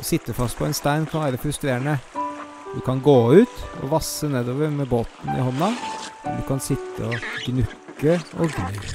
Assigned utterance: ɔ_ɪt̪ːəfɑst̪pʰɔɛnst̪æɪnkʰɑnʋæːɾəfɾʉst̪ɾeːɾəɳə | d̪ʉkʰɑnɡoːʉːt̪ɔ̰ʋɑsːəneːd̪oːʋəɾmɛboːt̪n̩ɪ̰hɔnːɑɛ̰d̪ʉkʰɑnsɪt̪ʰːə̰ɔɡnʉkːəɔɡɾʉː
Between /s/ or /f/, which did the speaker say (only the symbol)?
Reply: s